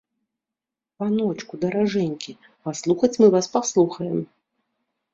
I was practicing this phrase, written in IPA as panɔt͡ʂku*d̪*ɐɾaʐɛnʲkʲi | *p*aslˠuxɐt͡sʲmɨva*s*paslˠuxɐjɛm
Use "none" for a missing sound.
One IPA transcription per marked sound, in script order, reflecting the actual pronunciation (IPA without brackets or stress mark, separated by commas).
d̪, p, s